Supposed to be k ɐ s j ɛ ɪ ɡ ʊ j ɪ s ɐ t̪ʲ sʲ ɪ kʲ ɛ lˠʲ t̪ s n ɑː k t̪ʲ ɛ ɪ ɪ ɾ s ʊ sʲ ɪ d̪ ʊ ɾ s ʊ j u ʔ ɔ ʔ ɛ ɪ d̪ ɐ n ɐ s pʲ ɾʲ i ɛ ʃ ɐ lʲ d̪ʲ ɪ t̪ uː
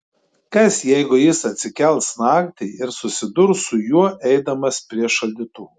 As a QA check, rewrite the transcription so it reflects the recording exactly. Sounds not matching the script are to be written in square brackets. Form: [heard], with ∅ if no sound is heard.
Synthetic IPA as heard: k ɐ s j ɛ ɪ ɡ ʊ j ɪ s ɐ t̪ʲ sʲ ɪ kʲ ɛ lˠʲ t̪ s n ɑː k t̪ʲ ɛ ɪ ɪ ɾ s ʊ sʲ ɪ d̪ ʊ ɾ s ʊ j u [∅] ɔ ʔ ɛ ɪ d̪ ɐ [m] ɐ s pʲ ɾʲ i ɛ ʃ ɐ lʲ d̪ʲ ɪ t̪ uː